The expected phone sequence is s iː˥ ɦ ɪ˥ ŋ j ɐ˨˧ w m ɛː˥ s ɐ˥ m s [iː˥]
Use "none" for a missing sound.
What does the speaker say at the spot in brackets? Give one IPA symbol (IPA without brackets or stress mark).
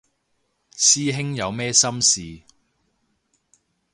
iː˨